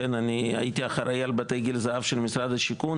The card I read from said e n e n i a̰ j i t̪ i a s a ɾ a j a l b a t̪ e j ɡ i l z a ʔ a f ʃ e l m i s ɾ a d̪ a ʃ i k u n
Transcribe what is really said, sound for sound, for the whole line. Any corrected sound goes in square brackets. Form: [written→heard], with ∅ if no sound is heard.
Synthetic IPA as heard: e n [e→a] n i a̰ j i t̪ i a [s→χ] a ɾ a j a l b a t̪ e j ɡ i l z a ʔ a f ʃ e l m i s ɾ a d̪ a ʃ i k u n